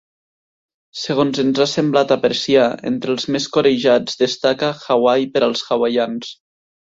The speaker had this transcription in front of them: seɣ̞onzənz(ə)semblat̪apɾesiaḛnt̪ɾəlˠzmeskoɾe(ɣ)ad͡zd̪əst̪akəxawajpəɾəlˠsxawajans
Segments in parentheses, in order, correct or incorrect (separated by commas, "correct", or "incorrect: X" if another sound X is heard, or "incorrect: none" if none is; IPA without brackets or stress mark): incorrect: a, incorrect: ʒ